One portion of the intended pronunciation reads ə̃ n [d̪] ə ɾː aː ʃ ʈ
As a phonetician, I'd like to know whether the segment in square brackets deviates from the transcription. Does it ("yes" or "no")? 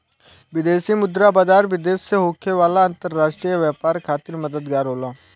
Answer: yes